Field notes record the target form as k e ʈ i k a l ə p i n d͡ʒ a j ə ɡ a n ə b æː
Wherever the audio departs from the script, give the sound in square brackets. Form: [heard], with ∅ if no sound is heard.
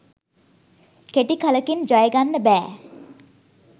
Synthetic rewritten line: k e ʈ i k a l ə [k] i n d͡ʒ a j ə ɡ a [nː] ə b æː